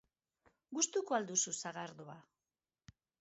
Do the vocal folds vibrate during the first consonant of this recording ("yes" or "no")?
yes